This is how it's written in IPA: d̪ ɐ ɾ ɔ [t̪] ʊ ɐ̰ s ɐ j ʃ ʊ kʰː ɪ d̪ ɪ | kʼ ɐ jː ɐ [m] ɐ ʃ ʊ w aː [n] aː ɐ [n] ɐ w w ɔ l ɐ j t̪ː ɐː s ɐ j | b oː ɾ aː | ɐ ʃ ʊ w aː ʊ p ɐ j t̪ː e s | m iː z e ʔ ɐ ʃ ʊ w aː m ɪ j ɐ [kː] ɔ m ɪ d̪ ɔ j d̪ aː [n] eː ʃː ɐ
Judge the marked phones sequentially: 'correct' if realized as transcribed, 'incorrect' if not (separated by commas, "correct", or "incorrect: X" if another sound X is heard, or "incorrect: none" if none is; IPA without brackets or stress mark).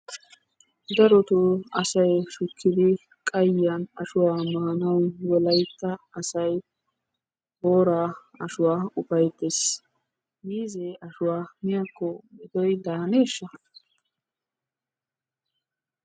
correct, incorrect: n, incorrect: m, correct, correct, correct